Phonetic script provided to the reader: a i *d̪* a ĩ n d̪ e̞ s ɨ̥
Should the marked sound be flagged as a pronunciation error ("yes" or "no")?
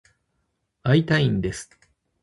yes